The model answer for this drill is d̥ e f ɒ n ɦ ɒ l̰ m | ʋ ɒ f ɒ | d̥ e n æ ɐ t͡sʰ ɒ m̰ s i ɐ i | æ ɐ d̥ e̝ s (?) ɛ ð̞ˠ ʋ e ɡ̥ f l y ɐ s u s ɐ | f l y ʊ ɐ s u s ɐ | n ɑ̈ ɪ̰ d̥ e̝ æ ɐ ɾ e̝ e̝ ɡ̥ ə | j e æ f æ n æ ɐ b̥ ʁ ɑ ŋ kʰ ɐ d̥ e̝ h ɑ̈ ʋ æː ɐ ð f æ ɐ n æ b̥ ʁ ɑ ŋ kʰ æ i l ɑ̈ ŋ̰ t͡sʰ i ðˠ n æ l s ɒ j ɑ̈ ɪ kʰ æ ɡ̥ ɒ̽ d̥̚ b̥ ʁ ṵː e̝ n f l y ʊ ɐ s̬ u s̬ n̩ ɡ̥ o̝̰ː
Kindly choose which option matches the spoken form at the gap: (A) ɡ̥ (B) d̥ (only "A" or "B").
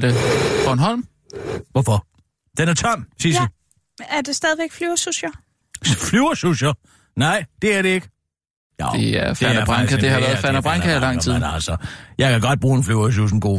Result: B